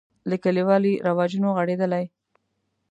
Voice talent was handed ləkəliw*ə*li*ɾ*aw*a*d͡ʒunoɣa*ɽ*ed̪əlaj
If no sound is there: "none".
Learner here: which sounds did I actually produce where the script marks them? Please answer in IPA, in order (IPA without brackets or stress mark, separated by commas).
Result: ɑ, ɾ, ɑ, ɽ